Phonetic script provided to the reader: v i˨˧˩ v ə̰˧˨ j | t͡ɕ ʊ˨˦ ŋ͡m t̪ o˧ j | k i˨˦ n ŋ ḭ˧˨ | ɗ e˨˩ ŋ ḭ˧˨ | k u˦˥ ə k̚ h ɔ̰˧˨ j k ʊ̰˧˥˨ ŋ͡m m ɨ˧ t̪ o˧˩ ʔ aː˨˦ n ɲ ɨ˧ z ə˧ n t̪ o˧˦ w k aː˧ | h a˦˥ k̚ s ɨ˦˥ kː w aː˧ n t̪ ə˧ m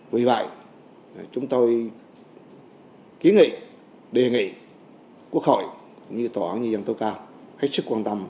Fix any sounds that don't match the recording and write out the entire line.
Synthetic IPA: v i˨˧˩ v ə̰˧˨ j | t͡ɕ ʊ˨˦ ŋ͡m t̪ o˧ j | k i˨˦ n ŋ ḭ˧˨ | ɗ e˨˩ ŋ ḭ˧˨ | k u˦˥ ə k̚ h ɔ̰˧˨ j k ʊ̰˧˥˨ ŋ͡m ɲ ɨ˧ t̪ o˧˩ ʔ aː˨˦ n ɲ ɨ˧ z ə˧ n t̪ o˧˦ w k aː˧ | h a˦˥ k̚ s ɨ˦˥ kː w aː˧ n t̪ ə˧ m